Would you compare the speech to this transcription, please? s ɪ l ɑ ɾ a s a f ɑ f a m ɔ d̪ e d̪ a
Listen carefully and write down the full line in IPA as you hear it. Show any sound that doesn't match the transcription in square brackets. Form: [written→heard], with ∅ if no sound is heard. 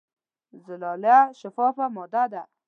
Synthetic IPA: [s→z] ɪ l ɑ [ɾ→l] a [s→ʃ] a f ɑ f a m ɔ d̪ [e→a] d̪ a